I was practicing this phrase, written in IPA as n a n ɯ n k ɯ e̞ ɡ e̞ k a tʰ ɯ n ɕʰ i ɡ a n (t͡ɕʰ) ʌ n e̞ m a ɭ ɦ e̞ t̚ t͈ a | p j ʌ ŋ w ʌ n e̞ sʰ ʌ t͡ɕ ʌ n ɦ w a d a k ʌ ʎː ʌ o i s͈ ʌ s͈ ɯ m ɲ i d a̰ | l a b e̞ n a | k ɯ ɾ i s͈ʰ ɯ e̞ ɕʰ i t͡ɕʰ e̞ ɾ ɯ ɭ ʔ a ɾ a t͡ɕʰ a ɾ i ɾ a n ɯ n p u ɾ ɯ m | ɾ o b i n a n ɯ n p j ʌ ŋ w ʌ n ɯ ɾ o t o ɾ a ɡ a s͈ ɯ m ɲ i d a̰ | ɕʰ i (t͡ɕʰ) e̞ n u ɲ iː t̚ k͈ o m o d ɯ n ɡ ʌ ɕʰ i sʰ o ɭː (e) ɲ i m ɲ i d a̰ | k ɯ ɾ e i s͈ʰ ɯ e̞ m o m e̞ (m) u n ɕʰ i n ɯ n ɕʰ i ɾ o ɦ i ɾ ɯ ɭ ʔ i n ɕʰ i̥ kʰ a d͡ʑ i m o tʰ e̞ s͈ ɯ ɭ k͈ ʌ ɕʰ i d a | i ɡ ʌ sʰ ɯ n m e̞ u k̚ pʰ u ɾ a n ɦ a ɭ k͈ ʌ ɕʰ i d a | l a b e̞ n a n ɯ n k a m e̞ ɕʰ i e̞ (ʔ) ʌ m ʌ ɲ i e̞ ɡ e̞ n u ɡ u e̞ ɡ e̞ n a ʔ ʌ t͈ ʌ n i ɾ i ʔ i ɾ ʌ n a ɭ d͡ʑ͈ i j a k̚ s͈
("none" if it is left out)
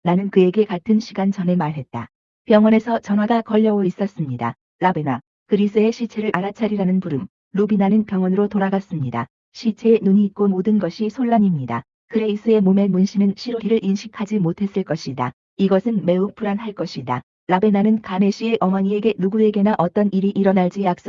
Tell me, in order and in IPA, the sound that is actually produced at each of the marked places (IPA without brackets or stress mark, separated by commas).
t͡ɕ, t͡ɕʰ, a, m, ʔ